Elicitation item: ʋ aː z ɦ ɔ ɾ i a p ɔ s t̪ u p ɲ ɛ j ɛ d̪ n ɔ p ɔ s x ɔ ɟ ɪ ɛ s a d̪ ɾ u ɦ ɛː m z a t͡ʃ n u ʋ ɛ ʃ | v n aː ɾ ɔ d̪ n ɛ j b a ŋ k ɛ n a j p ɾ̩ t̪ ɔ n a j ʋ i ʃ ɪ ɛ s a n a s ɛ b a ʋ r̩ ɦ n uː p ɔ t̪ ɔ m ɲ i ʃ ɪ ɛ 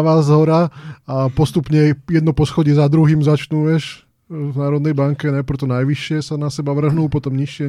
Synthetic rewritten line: ʋ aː z ɦ ɔ ɾ a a p ɔ s t̪ u p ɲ ɛ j ɛ d̪ n ɔ p ɔ s x ɔ ɟ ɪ ɛ z a d̪ ɾ u ɦ iː m z a t͡ʃ n u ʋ ɛ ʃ | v n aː ɾ ɔ d̪ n ɛ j b a ŋ k ɛ n a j p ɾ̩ t̪ ɔ n a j ʋ i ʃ ɪ ɛ s a n a s ɛ b a ʋ r̩ ɦ n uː p ɔ t̪ ɔ m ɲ i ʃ ɪ ɛ